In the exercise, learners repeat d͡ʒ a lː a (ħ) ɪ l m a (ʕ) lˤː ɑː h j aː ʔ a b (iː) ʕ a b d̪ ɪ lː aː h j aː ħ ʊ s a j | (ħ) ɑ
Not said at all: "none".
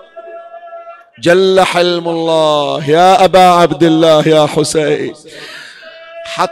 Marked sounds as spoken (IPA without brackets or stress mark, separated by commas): ħ, none, aː, ħ